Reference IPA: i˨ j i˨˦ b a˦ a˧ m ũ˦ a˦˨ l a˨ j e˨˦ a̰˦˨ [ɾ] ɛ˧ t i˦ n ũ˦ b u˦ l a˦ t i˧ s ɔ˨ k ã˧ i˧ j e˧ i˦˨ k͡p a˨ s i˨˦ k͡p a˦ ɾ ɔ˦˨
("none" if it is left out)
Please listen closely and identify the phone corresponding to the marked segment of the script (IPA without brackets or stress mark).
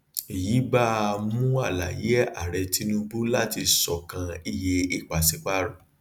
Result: ɾ